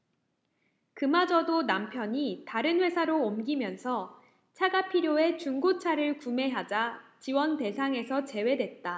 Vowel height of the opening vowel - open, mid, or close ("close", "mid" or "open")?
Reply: close